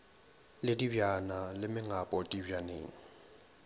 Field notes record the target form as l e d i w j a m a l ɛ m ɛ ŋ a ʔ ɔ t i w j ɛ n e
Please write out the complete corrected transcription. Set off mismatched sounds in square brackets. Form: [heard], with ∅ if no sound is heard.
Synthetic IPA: l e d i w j a [n] a l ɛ m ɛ ŋ a [p] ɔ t i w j [a] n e